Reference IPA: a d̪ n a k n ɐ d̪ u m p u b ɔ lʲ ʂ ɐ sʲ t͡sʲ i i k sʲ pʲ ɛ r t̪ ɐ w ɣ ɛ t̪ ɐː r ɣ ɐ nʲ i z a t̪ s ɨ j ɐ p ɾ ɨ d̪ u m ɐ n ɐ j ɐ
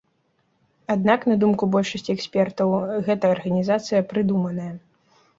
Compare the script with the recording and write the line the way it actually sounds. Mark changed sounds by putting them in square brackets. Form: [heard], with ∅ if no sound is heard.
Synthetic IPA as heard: a d̪ n a k n ɐ d̪ u m [k] u b ɔ lʲ ʂ ɐ sʲ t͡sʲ i [ɛ] k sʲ pʲ ɛ r t̪ ɐ w ɣ ɛ t̪ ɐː r ɣ ɐ nʲ i z a t̪ s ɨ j ɐ p ɾ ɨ d̪ u m ɐ n ɐ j ɐ